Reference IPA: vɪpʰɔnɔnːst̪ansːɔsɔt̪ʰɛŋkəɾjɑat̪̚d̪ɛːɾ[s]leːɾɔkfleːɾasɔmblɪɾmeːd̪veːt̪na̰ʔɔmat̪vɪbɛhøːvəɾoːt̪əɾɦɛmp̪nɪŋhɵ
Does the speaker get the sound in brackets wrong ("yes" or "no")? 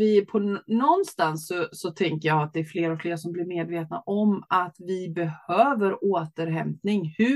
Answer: yes